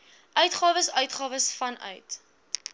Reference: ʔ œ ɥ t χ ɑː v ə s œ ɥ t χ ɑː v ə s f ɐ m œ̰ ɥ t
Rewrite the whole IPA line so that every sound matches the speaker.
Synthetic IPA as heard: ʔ œ ɥ t χ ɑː v ə s œ ɥ t χ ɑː v ə s f ɐ n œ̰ ɥ t

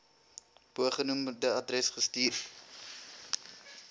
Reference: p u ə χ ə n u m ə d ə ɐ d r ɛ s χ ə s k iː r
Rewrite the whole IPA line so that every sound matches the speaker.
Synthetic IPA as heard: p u ə χ ə n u m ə d ə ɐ d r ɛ s χ ə s t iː r

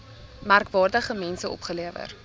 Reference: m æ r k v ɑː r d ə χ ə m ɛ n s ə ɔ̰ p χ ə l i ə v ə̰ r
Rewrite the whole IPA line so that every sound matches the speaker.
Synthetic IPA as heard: m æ r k v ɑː r d ə χ ə m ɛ n s ə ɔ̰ p χ ə l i ə v ə̰ r

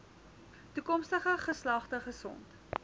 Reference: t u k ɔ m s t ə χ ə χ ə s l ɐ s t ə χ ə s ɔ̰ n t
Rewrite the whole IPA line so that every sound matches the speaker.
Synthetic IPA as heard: t u k ɔ m s t ə χ ə χ ə s l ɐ χ t ə χ ə s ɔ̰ n t

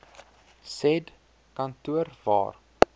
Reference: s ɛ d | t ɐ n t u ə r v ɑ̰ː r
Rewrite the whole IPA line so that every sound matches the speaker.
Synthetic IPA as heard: s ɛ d | k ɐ n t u ə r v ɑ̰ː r

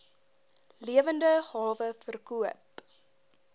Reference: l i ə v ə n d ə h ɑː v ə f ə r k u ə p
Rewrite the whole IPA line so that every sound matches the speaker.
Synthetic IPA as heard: l i ə v ə n d ə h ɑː v ə f ə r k u ə p

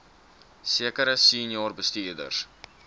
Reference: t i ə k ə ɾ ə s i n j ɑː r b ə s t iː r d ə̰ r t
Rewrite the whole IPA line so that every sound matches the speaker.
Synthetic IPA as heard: s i ə k ə ɾ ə s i n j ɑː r b ə s t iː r d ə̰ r s

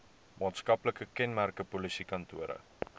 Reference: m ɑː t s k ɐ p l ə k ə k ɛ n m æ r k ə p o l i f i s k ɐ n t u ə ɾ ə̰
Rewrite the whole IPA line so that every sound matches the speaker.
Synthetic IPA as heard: m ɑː t s k ɐ p l ə k ə k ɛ n m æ r k ə p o l i s i k ɐ n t u ə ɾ ə̰

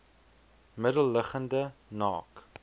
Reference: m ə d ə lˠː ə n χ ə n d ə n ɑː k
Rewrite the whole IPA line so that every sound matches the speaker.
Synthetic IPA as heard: m ə d ə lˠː ə χ ə n d ə n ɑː k

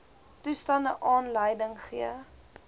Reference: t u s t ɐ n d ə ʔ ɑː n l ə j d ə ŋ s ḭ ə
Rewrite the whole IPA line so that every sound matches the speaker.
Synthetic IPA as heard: t u s t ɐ n d ə ʔ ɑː n l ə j d ə ŋ χ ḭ ə

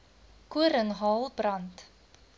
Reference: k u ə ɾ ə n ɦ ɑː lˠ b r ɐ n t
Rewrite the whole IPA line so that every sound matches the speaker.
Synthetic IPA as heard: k u ə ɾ ə ŋ ɦ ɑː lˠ b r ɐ n t

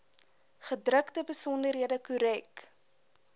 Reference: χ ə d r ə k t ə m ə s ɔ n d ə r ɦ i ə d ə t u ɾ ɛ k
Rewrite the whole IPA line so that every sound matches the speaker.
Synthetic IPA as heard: χ ə d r ə k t ə b ə s ɔ n d ə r ɦ i ə d ə k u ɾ ɛ k

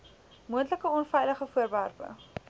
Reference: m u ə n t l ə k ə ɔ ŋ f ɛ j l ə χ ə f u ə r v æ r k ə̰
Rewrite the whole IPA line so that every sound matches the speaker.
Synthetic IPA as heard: m u ə n t l ə k ə ɔ n f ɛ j l ə χ ə f u ə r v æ r p ə̰

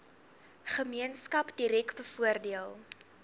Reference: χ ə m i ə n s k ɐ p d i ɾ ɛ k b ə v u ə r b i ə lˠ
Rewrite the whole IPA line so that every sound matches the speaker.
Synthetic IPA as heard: χ ə m i ə n s k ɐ p d i ɾ ɛ k b ə f u ə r d i ə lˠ

